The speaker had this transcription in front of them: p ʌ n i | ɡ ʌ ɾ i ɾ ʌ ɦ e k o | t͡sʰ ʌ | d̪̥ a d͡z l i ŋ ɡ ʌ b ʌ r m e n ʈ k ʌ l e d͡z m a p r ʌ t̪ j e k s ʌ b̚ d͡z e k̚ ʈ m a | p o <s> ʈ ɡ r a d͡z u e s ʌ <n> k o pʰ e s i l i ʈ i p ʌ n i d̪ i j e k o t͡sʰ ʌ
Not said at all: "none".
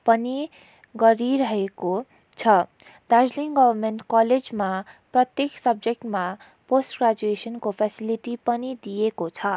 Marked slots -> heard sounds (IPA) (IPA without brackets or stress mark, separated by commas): s, n